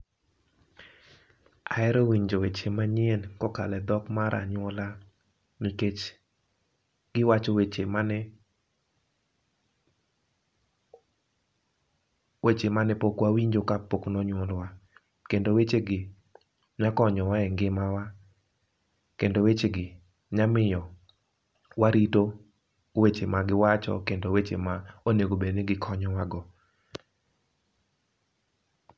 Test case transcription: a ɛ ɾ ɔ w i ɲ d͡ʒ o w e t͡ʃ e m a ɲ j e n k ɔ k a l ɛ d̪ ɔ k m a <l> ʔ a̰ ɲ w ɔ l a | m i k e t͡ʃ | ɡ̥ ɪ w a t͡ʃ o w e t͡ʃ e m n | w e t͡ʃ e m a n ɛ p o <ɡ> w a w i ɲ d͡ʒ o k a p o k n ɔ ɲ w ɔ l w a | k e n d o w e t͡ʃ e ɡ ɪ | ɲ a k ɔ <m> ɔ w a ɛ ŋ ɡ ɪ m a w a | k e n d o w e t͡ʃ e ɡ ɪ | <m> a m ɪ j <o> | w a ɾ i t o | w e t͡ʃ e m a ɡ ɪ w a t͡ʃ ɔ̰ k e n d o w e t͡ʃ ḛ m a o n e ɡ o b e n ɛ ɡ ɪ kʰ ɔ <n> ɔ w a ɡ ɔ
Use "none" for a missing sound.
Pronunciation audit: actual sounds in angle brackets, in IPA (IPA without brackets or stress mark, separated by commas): ɾ, k, ɲ, ɲ, ɔ, ɲ